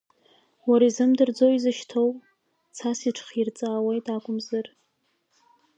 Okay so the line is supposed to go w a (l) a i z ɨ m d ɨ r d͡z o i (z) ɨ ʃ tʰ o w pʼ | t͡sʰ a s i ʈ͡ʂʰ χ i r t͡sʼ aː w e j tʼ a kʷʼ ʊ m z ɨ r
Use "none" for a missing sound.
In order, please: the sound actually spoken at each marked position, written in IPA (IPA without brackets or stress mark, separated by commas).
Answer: ɾ, z